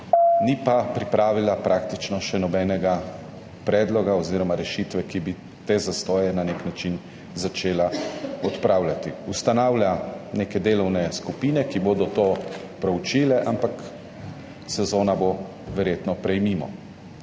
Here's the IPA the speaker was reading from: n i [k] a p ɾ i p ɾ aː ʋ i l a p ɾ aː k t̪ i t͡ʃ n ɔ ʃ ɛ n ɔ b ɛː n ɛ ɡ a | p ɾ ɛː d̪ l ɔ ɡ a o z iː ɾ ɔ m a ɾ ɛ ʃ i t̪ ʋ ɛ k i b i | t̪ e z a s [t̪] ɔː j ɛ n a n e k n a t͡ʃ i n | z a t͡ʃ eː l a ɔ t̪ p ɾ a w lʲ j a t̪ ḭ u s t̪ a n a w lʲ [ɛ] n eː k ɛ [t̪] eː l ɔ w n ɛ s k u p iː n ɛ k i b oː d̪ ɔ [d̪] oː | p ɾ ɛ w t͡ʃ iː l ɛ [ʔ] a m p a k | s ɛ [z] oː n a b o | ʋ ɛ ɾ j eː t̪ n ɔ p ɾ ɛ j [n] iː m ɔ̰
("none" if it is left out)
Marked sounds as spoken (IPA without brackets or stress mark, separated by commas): p, t̪, a, d̪, t̪, ʔ, z, m